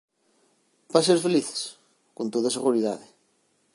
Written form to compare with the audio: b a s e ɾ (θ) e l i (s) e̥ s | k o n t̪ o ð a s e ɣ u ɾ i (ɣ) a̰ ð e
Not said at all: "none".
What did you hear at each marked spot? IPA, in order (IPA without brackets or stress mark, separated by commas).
f, θ, ð